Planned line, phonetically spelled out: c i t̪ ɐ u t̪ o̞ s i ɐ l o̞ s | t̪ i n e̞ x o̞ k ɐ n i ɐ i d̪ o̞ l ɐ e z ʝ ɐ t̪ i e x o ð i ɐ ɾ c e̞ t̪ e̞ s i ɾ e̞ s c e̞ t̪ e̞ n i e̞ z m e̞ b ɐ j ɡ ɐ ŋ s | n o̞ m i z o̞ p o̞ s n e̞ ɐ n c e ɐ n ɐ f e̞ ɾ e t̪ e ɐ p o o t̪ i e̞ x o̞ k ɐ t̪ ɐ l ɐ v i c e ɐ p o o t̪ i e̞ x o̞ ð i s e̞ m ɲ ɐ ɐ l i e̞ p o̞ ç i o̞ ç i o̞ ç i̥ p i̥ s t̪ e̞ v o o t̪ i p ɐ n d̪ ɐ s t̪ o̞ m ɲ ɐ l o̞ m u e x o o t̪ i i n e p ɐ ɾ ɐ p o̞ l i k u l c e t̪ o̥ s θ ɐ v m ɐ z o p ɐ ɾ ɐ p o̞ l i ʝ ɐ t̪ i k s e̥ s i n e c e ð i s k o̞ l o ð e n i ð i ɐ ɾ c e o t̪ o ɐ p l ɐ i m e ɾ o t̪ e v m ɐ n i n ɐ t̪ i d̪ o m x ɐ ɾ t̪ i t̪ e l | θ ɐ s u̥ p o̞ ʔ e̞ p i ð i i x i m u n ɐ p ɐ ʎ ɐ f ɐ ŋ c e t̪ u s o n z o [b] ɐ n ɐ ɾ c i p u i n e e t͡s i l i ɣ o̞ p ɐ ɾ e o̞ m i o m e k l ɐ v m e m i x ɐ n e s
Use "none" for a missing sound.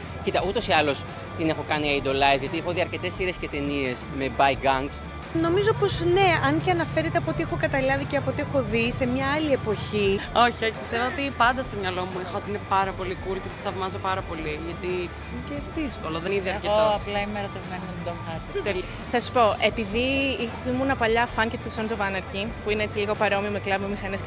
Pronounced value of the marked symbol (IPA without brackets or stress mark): v